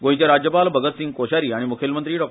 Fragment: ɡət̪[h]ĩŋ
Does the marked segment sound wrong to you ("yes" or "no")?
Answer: yes